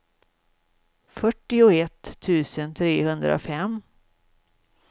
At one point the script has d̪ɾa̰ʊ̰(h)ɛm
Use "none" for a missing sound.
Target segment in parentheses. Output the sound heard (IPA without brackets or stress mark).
f